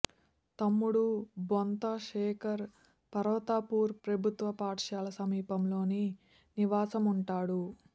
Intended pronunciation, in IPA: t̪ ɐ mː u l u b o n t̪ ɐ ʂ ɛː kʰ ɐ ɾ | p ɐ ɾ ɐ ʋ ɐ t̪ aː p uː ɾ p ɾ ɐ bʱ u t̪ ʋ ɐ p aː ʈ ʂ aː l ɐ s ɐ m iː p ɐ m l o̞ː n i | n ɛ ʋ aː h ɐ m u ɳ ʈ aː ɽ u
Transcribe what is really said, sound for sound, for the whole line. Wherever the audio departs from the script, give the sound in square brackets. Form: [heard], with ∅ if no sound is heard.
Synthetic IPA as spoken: t̪ ɐ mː u [ɽ] u b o n t̪ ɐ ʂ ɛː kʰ ɐ ɾ | p ɐ ɾ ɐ ʋ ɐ t̪ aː p uː ɾ p ɾ ɐ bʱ u t̪ ʋ ɐ p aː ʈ ʂ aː l ɐ s ɐ m iː p ɐ m l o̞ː n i | n [i] ʋ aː [s] ɐ m u ɳ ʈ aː ɽ u